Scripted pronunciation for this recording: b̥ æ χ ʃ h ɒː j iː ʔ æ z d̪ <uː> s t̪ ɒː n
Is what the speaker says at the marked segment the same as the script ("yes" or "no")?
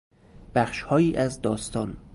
no